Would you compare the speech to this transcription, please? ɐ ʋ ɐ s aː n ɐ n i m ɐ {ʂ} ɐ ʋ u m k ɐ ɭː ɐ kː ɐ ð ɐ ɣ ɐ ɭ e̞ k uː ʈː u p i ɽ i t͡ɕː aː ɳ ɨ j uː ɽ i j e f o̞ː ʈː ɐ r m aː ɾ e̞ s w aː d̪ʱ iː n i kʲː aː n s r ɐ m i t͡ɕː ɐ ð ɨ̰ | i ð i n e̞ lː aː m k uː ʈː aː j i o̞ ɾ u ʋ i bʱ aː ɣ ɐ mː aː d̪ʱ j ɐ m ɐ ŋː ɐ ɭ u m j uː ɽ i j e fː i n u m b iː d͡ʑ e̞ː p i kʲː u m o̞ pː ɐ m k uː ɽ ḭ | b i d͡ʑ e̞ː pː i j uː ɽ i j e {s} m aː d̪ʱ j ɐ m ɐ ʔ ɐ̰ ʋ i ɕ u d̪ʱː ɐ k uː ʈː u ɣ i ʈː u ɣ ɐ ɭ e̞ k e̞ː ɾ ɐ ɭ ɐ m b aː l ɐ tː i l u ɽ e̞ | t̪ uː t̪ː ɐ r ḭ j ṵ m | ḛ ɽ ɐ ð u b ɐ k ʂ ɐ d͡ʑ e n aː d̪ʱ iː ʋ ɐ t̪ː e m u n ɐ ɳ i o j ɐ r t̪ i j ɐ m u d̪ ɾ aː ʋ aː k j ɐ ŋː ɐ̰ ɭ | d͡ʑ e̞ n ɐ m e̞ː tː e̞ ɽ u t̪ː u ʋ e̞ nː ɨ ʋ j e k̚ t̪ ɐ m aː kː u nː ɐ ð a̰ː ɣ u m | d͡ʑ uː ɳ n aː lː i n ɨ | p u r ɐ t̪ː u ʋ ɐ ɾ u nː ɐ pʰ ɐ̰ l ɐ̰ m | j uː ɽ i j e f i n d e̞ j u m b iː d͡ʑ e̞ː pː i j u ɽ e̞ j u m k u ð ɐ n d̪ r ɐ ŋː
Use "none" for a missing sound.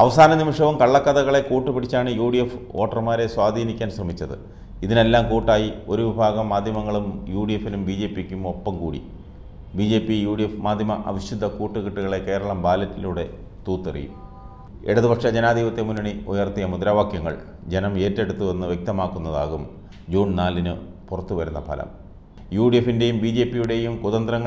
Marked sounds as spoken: ʂ, f

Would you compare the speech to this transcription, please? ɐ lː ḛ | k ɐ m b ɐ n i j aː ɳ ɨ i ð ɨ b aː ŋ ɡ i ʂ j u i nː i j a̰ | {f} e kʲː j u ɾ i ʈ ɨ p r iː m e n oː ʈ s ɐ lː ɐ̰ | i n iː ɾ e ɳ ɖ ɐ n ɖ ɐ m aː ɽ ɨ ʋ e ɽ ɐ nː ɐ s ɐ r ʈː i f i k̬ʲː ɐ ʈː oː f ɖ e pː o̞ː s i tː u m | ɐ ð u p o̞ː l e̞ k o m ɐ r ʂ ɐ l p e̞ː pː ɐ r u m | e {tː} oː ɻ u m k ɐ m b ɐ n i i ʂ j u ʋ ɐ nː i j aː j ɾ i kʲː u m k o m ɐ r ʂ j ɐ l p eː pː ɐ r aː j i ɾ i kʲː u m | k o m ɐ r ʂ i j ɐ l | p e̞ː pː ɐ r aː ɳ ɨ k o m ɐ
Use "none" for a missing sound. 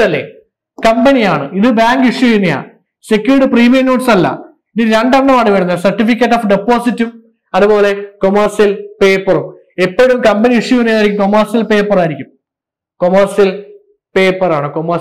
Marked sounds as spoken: s, pː

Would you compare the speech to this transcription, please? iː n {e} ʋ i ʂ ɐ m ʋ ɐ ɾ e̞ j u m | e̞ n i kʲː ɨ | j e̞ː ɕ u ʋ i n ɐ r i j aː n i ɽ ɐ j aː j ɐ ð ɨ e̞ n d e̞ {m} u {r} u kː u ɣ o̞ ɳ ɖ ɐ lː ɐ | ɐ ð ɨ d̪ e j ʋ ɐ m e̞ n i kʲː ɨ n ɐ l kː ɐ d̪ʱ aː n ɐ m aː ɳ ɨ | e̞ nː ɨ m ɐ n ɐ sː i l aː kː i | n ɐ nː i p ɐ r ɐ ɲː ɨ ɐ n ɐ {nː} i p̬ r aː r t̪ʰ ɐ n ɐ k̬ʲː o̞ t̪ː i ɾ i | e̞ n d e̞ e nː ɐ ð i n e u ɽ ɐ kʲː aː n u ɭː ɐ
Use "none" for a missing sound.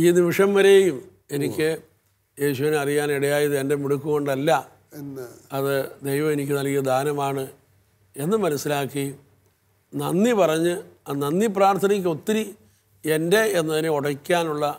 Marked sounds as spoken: i, m, ɽ, nː

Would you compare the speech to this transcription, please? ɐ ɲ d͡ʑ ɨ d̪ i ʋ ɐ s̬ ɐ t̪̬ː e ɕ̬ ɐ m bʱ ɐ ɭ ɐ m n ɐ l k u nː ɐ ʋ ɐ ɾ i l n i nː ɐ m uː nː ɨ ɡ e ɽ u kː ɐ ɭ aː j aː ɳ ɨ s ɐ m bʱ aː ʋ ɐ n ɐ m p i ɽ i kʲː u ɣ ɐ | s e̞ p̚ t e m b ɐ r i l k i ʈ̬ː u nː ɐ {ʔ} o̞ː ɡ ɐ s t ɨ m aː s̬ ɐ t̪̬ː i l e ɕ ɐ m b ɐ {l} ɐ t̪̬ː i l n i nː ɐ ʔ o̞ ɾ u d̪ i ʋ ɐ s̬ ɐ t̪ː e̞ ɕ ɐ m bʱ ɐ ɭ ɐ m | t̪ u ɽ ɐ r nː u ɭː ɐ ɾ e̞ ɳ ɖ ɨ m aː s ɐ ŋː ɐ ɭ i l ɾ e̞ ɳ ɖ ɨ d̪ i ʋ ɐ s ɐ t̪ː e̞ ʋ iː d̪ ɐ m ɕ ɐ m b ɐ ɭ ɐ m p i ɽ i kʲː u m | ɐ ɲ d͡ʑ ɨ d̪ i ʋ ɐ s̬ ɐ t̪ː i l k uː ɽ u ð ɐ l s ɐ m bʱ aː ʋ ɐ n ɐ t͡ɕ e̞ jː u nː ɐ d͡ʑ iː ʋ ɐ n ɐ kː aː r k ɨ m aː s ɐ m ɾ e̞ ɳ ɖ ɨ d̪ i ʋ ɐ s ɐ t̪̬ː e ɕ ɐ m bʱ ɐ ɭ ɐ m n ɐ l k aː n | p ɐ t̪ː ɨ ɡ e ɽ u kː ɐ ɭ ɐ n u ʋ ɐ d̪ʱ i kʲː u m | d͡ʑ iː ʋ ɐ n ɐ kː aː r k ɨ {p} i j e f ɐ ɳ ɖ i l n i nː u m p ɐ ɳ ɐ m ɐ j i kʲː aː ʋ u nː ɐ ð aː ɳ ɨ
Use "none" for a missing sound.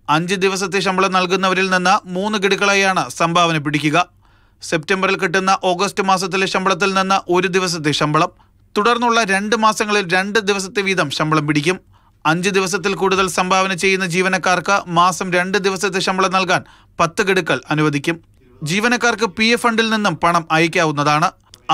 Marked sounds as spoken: ʔ, ɭ, p

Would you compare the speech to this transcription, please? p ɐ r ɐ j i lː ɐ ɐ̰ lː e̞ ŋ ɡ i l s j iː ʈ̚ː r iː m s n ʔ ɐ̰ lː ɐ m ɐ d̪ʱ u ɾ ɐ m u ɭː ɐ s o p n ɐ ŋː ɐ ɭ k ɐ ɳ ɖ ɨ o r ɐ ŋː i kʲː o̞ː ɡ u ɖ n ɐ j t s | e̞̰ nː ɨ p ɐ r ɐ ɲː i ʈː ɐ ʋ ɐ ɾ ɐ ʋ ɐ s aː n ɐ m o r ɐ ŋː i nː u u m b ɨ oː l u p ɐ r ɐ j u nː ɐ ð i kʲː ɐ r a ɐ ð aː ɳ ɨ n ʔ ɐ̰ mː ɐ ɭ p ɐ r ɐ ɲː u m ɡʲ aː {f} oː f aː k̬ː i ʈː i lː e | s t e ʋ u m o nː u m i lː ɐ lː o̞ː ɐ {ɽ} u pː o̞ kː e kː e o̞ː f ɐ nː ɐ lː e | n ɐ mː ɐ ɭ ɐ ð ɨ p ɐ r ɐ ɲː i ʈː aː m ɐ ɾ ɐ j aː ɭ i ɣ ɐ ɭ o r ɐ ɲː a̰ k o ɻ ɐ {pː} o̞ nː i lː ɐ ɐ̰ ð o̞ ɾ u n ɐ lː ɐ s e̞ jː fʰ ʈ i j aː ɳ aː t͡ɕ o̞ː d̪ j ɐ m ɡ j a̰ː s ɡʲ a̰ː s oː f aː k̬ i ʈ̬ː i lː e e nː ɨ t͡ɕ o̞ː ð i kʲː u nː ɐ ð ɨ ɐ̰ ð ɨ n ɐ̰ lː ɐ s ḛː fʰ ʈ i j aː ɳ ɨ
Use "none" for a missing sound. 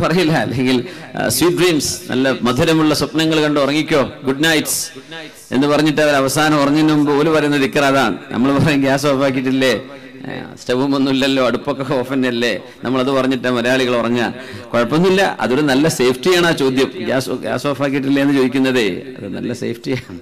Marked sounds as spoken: s, ɽ, pː

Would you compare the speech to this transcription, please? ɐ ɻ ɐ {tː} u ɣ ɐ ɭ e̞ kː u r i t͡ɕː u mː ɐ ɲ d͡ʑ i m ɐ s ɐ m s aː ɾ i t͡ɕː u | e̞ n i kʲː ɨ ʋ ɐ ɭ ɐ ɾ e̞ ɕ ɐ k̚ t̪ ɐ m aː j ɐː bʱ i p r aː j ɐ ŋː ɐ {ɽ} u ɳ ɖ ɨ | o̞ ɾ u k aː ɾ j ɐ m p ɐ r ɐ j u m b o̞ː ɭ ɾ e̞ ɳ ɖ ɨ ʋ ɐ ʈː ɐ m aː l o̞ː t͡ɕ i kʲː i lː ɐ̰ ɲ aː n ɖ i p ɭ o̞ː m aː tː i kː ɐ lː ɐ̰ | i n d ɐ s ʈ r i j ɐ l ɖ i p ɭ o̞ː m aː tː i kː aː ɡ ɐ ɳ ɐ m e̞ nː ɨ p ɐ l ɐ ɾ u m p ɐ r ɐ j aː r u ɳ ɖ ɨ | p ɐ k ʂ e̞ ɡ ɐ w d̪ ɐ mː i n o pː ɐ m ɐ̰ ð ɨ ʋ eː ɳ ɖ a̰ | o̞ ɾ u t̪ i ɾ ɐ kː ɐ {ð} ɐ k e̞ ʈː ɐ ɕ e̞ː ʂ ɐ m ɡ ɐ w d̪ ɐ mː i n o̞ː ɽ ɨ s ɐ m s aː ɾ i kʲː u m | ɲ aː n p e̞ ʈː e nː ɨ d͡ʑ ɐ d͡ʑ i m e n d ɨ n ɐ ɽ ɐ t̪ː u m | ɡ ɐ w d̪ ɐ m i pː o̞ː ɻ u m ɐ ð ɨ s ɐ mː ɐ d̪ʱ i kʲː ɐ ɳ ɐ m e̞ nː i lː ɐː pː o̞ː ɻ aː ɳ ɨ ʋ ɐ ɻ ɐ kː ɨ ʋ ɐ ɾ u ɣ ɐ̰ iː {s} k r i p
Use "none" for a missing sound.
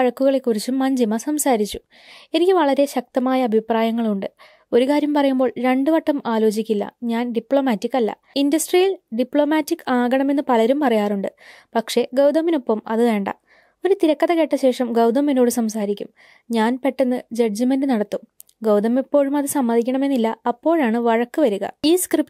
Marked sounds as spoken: kː, ɭ, ð, s

